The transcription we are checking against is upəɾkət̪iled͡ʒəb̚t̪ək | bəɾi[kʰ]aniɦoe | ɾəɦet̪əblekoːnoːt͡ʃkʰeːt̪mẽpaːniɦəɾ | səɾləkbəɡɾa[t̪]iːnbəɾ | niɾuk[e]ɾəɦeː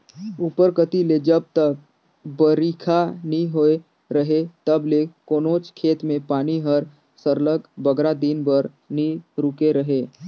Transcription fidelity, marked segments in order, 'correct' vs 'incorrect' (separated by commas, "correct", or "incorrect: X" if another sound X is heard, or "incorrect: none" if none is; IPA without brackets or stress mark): correct, incorrect: d̪, correct